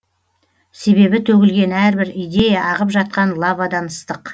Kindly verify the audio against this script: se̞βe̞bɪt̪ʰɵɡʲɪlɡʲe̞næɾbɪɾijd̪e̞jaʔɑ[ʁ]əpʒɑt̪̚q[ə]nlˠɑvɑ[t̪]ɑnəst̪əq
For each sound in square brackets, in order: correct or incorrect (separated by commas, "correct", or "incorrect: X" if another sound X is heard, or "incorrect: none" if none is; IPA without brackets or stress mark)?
correct, incorrect: ɑ, incorrect: d̪